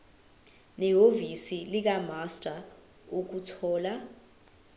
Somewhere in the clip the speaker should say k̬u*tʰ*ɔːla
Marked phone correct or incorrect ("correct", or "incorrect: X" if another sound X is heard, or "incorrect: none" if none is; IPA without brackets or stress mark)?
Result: correct